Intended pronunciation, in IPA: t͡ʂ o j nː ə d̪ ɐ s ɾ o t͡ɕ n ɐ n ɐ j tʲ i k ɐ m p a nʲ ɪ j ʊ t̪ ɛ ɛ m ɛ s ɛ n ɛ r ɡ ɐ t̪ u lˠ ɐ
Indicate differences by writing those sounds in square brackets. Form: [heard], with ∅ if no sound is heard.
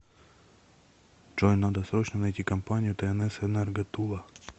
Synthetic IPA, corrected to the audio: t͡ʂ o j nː [a] d̪ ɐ s ɾ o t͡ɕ n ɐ n ɐ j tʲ i k ɐ m p a nʲ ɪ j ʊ t̪ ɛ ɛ [n] ɛ s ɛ n ɛ r ɡ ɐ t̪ u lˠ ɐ